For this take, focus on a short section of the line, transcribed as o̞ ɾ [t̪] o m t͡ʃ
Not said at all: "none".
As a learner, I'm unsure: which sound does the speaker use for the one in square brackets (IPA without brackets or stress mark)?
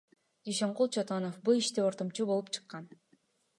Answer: t̪